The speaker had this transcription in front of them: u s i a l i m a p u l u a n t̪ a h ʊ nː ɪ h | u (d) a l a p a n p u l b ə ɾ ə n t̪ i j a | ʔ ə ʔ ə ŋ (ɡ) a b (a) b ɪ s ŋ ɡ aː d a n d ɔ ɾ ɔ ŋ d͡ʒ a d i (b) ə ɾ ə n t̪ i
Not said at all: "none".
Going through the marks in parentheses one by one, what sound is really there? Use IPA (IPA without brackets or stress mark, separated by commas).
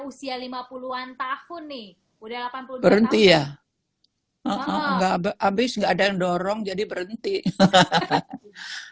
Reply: d, ɡ, a, b